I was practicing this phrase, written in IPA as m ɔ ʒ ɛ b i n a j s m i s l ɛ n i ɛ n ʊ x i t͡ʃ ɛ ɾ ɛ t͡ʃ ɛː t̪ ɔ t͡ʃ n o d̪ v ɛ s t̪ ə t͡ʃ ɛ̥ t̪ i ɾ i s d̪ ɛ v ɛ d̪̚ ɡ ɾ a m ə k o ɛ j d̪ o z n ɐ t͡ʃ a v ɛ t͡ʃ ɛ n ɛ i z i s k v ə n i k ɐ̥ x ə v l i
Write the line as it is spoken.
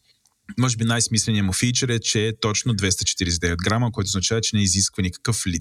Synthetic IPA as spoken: m ɔ ʒ ɛ b i n a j s m i s l ɛ n i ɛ m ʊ f i t͡ʃ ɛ ɾ ɛ t͡ʃ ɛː t̪ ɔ t͡ʃ n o d̪ v ɛ s t̪ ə t͡ʃ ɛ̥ t̪ i ɾ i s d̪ ɛ v ɛ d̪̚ ɡ ɾ a m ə k o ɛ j t̪ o z n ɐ t͡ʃ a v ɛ t͡ʃ ɛ n ɛ i z i s k v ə n i k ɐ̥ k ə f l i